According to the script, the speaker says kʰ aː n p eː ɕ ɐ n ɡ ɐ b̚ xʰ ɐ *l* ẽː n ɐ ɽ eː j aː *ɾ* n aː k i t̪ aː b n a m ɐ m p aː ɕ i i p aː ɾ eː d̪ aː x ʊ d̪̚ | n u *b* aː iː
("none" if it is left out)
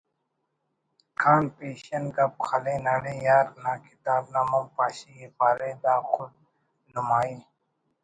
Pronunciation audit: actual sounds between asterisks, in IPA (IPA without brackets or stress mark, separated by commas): l, ɾ, m